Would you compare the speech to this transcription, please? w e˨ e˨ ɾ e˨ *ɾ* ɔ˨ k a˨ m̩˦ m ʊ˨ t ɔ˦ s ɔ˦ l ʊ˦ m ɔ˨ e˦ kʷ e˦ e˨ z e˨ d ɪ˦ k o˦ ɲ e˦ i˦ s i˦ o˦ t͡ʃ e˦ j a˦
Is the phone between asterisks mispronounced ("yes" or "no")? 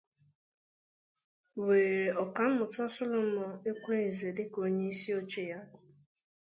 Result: yes